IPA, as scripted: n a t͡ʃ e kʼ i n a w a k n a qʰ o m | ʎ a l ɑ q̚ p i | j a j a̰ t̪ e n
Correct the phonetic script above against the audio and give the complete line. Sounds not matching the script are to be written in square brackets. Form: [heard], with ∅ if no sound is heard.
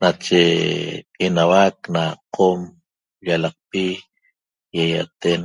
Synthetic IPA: n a t͡ʃ e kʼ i n a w a k n a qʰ o m | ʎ a l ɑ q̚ p i | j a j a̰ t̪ e n